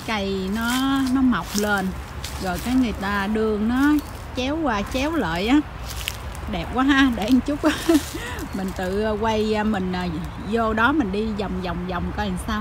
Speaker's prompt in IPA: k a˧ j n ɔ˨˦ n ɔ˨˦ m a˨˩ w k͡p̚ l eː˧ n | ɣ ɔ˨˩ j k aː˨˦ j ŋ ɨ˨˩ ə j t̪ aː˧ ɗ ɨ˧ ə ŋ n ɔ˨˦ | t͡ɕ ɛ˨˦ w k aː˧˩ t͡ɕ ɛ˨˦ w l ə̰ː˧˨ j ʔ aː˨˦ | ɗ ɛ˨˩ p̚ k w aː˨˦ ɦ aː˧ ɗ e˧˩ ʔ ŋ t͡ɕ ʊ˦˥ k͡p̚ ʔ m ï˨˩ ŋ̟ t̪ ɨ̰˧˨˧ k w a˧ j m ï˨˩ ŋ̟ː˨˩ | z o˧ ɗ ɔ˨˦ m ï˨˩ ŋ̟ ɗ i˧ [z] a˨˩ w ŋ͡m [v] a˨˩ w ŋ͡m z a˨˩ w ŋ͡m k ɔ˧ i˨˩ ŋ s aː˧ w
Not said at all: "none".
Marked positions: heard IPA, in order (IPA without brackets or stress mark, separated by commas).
z, z